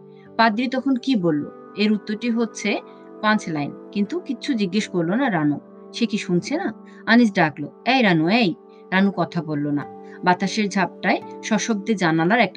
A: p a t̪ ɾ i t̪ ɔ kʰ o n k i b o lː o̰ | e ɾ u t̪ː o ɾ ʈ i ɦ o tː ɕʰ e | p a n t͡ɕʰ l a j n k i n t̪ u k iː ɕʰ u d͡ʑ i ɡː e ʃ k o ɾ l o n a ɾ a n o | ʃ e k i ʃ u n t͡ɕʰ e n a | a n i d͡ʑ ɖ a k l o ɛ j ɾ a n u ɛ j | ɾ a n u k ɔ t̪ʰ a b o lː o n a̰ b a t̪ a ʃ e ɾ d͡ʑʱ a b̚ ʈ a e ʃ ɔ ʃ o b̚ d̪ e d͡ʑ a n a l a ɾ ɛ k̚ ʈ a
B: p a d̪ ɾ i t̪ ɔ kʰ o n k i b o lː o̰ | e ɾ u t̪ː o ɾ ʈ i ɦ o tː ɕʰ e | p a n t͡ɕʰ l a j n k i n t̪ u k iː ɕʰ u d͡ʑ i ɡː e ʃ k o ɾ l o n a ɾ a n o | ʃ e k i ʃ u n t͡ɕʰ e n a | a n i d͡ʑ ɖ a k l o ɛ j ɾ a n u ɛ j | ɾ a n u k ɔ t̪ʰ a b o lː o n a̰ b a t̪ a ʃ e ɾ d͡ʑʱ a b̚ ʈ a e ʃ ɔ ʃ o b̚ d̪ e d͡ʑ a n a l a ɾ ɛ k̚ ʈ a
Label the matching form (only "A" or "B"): B